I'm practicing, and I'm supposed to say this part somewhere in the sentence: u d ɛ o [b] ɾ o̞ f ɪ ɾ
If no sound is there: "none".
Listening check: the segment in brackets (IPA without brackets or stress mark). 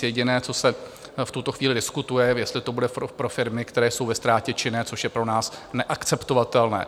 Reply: p